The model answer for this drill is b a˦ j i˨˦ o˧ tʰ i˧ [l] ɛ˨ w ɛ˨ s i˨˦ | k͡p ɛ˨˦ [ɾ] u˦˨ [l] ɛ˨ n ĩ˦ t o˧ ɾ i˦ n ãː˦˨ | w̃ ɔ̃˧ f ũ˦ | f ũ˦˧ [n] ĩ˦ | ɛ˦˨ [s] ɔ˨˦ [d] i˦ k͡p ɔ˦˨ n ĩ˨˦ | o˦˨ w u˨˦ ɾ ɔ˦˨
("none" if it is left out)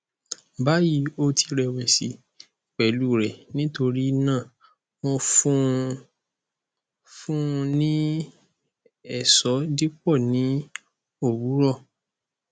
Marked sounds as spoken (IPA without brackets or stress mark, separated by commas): ɾ, l, ɾ, n, s, d